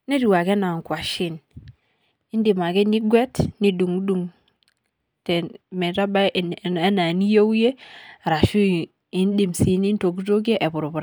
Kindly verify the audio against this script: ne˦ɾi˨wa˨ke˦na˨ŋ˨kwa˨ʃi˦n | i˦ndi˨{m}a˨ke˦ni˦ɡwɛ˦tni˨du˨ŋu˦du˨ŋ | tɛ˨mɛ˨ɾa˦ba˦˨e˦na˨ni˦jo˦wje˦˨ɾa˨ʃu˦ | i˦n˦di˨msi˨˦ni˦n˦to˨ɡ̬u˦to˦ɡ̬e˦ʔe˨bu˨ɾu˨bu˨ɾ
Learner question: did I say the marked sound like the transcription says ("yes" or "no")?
yes